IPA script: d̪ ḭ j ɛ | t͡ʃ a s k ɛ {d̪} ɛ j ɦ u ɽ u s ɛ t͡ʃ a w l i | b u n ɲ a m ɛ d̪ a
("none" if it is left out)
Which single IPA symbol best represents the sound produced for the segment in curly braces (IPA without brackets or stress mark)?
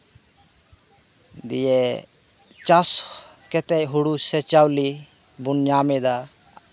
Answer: t̪